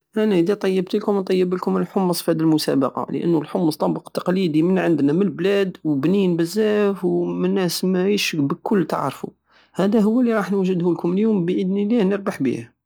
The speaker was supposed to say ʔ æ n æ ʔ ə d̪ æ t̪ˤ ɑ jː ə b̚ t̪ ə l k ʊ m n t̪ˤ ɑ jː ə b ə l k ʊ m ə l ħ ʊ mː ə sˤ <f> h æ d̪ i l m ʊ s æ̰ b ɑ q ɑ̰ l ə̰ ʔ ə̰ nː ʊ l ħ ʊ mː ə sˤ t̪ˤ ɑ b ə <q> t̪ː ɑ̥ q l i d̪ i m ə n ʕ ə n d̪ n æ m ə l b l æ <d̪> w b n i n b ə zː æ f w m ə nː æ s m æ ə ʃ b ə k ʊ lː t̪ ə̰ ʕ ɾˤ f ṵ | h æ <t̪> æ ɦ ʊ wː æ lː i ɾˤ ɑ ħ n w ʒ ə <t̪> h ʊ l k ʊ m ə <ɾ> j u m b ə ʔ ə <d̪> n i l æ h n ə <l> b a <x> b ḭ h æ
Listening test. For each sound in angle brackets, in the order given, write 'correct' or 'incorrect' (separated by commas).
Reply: correct, correct, correct, incorrect, incorrect, incorrect, correct, incorrect, incorrect